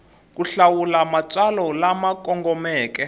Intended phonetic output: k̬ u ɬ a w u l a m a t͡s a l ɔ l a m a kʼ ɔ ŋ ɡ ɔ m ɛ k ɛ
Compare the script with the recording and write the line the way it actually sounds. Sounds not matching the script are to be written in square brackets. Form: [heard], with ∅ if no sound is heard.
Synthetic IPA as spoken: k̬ u ɬ a w u l a m a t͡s a l ɔ l a m a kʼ ɔ ŋ ɡ ɔ m [ɛː] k ɛ